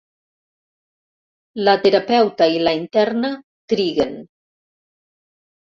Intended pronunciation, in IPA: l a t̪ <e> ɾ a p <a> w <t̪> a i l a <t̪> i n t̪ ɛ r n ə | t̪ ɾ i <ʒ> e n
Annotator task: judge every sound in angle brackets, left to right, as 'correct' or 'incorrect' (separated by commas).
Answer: correct, incorrect, correct, incorrect, incorrect